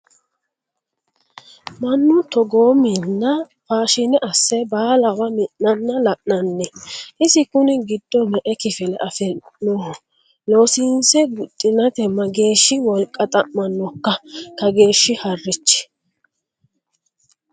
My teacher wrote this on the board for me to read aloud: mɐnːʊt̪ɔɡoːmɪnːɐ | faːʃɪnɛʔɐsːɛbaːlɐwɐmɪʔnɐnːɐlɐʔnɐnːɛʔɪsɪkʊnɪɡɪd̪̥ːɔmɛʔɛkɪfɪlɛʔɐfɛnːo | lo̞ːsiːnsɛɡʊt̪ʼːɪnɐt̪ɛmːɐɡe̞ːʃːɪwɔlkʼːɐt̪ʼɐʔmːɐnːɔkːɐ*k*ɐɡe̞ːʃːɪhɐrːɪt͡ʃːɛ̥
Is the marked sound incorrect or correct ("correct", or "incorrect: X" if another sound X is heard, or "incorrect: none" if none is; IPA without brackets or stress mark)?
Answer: correct